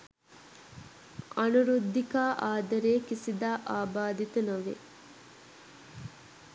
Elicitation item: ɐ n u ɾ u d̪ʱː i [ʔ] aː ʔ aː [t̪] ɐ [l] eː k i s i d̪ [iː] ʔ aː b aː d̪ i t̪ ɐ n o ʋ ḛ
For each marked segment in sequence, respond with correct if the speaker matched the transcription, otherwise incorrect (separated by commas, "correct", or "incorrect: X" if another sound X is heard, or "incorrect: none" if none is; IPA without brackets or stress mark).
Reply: incorrect: k, incorrect: d̪, incorrect: ɾ, incorrect: aː